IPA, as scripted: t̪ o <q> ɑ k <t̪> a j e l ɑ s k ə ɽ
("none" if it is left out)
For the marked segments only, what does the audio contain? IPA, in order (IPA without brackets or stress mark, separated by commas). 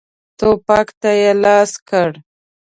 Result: p, t̪